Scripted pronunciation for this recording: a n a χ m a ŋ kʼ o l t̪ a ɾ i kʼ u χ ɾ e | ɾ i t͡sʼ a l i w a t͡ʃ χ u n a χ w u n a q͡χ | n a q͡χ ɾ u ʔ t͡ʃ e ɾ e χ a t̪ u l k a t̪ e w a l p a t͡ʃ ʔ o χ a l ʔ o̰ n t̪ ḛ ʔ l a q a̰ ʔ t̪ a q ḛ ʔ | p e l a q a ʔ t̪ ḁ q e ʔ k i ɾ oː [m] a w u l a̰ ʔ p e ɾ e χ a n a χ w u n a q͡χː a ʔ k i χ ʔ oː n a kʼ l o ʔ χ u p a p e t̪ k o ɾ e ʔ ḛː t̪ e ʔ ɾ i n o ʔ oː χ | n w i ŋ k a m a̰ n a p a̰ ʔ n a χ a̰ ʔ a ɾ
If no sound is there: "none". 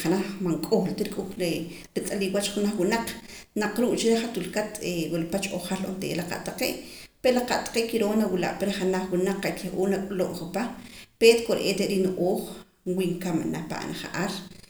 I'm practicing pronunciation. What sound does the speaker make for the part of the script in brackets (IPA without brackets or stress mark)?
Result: n